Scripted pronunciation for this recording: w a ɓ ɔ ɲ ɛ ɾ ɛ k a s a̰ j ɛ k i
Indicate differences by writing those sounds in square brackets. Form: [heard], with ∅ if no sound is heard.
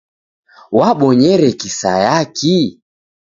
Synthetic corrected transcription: w a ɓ ɔ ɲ ɛ ɾ ɛ k [i] s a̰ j [a] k i